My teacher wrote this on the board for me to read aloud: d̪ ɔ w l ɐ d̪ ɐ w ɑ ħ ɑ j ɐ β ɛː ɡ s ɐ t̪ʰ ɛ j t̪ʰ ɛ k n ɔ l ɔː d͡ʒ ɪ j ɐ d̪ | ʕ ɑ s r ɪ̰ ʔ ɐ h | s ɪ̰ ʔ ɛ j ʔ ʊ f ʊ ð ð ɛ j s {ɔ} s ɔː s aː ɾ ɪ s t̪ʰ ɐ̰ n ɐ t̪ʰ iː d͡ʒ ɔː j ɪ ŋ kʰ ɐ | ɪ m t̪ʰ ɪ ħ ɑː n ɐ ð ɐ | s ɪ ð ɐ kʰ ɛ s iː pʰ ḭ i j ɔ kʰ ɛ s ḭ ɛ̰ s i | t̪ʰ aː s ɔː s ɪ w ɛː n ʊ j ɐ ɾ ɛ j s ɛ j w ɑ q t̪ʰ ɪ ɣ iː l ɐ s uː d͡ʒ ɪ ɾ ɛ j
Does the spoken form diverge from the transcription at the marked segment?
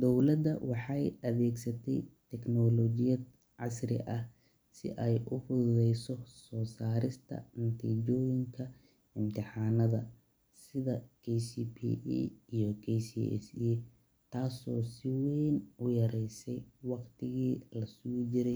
no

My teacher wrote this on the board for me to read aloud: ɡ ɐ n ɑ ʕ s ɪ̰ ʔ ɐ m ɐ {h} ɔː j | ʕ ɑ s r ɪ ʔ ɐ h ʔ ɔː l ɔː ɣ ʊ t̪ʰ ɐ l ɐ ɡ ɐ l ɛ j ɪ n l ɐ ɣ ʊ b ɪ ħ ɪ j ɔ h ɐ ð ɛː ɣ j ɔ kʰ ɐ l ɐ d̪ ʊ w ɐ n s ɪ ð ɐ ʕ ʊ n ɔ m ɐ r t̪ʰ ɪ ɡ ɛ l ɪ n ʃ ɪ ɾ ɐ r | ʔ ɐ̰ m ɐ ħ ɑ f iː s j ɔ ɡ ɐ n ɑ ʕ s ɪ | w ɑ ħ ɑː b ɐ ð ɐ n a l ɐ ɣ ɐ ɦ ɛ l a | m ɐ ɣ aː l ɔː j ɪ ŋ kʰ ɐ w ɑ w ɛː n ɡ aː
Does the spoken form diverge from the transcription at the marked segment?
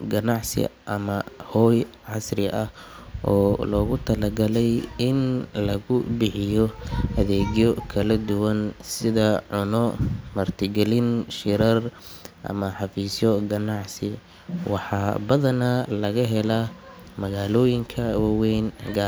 no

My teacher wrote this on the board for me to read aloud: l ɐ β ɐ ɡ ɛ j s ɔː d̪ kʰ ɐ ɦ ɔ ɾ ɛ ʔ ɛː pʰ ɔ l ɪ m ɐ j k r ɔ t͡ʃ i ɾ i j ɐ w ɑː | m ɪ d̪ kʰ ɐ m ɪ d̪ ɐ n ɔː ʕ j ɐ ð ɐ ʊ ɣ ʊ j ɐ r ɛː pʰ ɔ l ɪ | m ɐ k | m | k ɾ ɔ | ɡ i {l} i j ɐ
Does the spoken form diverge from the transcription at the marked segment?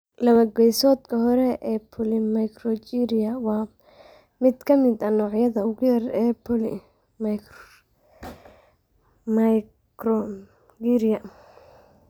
yes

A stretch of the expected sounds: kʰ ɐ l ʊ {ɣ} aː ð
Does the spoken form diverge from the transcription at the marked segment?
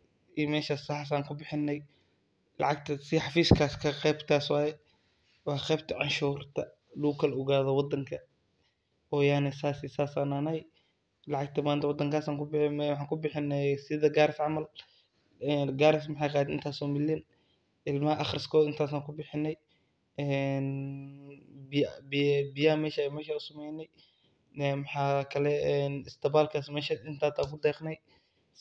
no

